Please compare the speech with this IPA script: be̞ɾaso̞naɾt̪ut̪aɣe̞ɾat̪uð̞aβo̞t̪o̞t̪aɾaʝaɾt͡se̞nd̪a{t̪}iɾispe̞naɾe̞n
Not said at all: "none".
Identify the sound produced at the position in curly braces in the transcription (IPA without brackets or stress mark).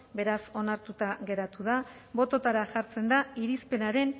none